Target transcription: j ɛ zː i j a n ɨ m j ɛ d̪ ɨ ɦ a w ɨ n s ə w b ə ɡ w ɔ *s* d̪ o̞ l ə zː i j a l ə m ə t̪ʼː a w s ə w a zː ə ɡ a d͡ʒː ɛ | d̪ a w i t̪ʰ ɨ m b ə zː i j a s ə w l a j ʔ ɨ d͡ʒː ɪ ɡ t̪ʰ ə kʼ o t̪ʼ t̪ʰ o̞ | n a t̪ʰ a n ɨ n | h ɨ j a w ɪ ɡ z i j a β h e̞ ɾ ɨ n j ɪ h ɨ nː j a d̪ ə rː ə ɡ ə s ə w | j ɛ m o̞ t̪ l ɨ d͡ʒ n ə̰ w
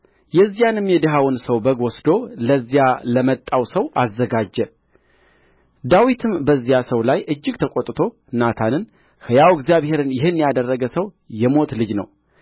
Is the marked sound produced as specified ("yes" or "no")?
yes